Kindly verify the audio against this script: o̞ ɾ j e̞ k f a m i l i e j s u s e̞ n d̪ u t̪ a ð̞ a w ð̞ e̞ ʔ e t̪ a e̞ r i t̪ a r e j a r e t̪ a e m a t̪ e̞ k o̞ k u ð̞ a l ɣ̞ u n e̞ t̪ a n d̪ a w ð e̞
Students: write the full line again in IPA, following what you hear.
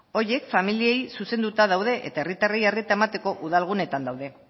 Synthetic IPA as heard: o̞ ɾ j e̞ k f a m i l i e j s u s e̞ n d̪ u t̪ a ð̞ a w ð̞ e̞ ʔ e t̪ a e̞ r i t̪ a r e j a r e t̪ a e m a t̪ e̞ k o̞ ʔ u ð̞ a l ɣ̞ u n e̞ t̪ a n d̪ a w ð e̞